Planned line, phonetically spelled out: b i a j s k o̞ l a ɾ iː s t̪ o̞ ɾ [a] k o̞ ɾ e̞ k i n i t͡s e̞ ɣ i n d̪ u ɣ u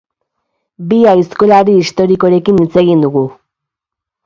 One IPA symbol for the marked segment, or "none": i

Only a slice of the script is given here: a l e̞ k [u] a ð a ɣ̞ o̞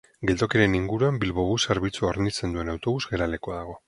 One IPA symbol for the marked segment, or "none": o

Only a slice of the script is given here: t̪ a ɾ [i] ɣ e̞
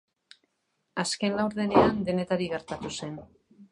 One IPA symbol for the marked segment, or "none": i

